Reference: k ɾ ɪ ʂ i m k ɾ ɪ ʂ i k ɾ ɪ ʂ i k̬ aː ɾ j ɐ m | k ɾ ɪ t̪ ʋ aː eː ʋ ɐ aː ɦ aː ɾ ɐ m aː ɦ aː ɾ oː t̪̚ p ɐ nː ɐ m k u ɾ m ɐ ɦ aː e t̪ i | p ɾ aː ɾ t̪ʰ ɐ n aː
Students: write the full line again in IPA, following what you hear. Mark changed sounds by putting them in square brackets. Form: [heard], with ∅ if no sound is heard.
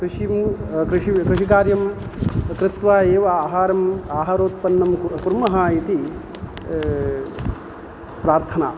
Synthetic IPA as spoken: k ɾ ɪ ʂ i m k ɾ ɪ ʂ i k ɾ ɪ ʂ i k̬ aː ɾ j ɐ m | k ɾ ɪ t̪ ʋ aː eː ʋ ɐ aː ɦ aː ɾ ɐ m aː ɦ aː ɾ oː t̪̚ p ɐ nː ɐ m k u ɾ m ɐ ɦ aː [i] t̪ i | p ɾ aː ɾ t̪ʰ ɐ n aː